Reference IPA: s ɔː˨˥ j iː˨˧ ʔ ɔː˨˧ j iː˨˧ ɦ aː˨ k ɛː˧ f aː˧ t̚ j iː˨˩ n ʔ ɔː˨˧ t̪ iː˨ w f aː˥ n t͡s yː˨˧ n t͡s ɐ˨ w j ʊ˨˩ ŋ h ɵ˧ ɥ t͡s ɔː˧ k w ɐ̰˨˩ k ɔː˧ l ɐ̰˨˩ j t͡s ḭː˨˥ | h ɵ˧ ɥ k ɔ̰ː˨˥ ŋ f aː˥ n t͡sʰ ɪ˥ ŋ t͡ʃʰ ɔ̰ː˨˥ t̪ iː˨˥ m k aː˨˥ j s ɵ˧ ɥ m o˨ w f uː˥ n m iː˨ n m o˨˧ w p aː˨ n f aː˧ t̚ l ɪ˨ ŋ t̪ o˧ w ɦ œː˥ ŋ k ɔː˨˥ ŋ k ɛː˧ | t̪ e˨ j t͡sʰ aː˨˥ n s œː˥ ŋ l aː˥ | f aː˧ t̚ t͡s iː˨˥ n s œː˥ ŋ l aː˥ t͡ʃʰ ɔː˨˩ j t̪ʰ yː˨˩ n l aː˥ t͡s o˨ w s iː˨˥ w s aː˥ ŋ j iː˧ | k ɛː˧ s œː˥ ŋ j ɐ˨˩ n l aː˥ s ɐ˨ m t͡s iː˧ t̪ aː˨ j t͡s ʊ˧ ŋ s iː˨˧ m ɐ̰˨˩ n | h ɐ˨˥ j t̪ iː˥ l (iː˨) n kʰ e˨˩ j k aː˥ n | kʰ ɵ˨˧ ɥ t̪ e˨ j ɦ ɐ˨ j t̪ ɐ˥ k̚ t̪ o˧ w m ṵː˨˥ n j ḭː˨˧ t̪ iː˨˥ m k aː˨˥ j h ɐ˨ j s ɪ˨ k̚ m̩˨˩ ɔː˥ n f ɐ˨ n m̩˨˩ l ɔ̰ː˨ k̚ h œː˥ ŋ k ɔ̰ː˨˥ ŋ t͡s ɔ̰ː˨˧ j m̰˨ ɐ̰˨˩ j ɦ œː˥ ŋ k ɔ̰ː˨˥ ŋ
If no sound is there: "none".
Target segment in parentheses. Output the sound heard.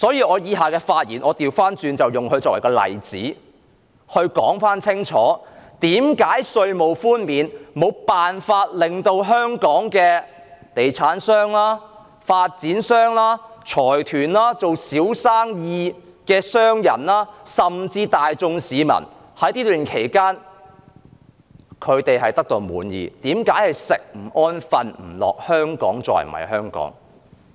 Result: yː˨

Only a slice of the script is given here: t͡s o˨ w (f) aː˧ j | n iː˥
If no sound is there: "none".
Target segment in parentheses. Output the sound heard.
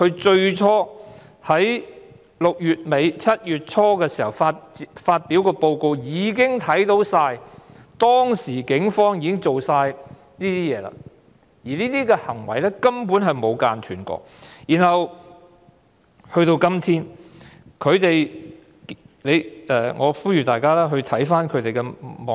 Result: s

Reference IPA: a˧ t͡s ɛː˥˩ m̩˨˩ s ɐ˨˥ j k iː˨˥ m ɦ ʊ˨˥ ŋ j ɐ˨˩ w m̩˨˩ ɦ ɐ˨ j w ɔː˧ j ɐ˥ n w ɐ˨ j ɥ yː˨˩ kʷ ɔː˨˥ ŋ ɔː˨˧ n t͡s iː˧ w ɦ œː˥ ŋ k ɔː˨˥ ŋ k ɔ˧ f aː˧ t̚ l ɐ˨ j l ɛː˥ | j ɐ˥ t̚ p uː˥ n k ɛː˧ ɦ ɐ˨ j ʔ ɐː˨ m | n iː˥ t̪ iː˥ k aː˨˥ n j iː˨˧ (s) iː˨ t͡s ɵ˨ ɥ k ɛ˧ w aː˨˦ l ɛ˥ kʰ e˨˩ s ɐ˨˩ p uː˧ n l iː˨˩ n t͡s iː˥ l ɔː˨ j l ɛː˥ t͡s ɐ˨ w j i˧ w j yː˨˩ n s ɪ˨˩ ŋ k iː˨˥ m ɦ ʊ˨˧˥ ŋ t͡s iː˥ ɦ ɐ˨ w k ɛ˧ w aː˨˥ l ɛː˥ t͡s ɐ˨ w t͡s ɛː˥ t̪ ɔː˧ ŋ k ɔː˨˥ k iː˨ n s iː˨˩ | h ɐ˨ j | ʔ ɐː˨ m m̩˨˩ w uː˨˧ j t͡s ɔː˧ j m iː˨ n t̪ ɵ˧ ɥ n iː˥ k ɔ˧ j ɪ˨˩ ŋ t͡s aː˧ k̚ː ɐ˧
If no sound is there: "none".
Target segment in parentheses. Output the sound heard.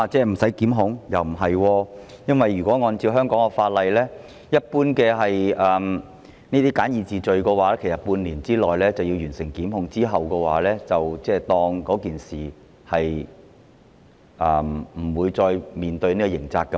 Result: t͡s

